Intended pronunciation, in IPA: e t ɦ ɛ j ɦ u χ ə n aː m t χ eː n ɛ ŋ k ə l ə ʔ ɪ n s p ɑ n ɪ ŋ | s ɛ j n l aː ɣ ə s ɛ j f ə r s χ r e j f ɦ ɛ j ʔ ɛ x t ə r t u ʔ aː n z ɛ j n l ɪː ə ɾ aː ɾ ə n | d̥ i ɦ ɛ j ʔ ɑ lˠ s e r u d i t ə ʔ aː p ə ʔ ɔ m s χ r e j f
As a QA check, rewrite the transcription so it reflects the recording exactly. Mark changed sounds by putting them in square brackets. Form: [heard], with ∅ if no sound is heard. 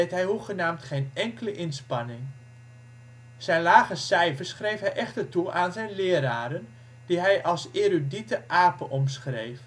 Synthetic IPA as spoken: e t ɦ ɛ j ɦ u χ ə n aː m t χ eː n ɛ ŋ k ə l ə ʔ ɪ n s p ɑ n ɪ ŋ | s ɛ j n l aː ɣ ə s ɛ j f ə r s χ r e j f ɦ ɛ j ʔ ɛ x t ə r t u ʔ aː n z ɛ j n l ɪː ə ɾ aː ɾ ə n | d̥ i ɦ ɛ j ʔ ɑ lˠ s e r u d i t ə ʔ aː p ə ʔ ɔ m s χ r e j f